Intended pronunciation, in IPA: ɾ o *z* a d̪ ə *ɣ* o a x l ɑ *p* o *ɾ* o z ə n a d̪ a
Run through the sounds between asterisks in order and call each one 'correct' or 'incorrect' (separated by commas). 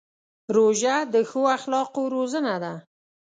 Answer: incorrect, incorrect, incorrect, correct